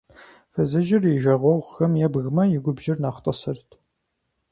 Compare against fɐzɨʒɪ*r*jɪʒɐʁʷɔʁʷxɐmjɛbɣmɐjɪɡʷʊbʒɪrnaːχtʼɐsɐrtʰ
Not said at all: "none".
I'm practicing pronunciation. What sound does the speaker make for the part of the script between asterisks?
r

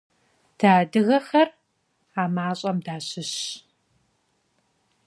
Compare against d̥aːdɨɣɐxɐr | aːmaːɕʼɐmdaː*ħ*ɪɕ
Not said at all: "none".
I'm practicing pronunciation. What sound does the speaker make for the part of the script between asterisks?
ɕ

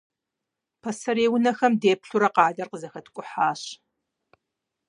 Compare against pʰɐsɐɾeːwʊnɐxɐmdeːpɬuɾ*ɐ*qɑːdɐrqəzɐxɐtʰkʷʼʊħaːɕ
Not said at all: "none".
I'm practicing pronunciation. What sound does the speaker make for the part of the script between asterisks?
ɐ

